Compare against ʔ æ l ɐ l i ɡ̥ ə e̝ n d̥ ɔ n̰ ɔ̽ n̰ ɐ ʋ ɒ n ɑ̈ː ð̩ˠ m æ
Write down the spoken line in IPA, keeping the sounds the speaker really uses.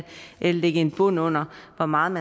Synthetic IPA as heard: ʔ e l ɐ l e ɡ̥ ə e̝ n b̥ ɔ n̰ ɔ̽ n̰ ɐ ʋ ɒ m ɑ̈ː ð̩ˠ m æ